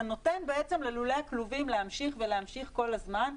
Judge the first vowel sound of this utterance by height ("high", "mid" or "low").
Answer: mid